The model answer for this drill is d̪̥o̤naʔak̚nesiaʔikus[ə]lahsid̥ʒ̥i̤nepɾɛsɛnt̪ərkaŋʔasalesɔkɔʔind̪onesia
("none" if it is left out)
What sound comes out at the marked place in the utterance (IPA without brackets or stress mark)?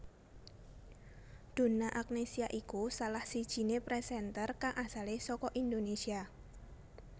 a